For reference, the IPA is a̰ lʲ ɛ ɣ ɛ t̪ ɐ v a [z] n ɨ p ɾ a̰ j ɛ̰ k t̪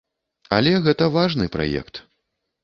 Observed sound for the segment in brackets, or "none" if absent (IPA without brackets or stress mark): ʐ